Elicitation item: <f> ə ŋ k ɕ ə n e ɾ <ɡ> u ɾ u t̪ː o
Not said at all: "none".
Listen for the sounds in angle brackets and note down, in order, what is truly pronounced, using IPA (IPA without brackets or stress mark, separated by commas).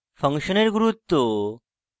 f, ɡ